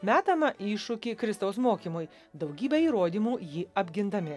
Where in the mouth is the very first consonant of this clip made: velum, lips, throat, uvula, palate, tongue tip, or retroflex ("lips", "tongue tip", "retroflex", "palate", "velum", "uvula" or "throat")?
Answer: lips